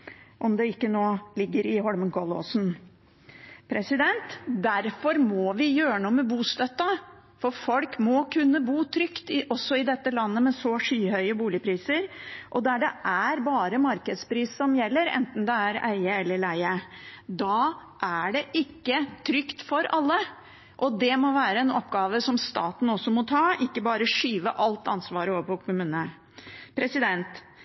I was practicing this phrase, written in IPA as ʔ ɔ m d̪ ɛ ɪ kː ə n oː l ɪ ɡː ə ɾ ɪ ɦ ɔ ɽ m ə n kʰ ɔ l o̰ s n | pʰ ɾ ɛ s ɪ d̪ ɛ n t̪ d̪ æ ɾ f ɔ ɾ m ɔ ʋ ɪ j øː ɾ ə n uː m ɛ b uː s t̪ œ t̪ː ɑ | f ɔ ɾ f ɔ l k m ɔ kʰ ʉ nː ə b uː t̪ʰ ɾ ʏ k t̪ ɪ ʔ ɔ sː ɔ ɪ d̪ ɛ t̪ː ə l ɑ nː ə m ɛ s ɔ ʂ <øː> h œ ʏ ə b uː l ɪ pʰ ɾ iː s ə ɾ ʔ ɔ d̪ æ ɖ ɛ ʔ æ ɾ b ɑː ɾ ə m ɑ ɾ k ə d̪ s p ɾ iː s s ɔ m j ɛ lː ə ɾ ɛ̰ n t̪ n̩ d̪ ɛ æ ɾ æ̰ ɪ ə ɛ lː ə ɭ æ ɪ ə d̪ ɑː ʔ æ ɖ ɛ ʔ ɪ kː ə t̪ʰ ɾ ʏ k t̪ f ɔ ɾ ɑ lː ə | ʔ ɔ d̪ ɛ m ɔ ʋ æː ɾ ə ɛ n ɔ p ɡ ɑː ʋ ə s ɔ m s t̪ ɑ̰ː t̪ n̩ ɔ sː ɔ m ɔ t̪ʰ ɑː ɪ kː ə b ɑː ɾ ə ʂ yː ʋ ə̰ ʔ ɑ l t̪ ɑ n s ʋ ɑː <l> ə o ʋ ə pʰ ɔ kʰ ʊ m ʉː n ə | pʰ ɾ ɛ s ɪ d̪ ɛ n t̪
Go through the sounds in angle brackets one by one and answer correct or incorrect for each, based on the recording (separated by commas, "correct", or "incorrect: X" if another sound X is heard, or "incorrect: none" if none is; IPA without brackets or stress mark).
incorrect: yː, incorrect: ɾ